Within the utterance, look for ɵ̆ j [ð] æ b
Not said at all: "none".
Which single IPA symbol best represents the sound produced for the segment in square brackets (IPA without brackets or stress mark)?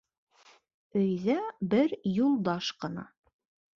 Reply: ð